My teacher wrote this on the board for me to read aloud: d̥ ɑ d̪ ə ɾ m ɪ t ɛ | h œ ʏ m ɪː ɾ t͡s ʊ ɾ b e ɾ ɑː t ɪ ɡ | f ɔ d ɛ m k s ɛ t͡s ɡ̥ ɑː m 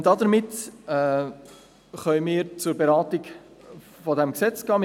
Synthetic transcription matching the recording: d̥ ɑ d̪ ə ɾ m ɪ t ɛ | χ œ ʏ m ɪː ɾ t͡s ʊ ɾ b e ɾ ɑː t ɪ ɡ | f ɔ d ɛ m k s ɛ t͡s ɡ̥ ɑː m